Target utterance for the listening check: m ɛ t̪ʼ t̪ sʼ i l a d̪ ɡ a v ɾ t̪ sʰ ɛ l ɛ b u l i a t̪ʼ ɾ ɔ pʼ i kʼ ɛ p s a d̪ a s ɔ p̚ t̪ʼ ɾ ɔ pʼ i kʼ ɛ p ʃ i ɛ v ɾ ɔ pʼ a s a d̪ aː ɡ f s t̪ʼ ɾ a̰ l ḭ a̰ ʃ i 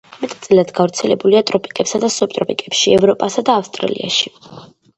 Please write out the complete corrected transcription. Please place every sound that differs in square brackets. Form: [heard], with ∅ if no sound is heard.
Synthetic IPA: m ɛ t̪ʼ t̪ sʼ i l a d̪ ɡ a v ɾ t̪ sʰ ɛ l ɛ b u l i a t̪ʼ ɾ ɔ pʼ i kʼ ɛ p s a d̪ a s ɔ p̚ t̪ʼ ɾ ɔ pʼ i kʼ ɛ p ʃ i ɛ v ɾ ɔ pʼ a s a d̪ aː [∅] f s t̪ʼ ɾ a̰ l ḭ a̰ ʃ i